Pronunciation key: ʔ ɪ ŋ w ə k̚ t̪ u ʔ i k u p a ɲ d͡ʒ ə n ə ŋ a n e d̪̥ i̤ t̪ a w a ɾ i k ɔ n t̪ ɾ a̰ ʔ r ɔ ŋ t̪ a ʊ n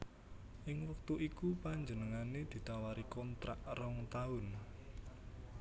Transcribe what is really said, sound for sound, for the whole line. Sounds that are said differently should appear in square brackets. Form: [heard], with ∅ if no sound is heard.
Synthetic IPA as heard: ʔ ɪ ŋ w ə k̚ t̪ u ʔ i k u p a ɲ d͡ʒ ə n ə ŋ a n e d̪̥ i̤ t̪ a w a ɾ i k ɔ n t̪ ɾ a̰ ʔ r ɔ ŋ t̪ a ʊ n